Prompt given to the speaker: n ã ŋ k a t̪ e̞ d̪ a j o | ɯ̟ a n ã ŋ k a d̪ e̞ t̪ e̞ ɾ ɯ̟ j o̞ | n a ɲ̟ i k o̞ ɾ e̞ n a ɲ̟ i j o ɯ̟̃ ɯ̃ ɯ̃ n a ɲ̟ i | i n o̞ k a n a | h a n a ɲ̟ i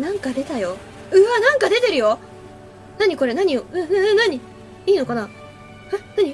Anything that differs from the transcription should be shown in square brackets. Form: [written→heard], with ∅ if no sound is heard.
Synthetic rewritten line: n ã ŋ k a [t̪→d̪] e̞ [d̪→t̪] a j o | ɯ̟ a n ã ŋ k a d̪ e̞ t̪ e̞ ɾ ɯ̟ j o̞ | n a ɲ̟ i k o̞ ɾ e̞ n a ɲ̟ i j o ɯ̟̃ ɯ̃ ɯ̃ n a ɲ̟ i | [i→iː] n o̞ k a n a | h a n a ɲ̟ i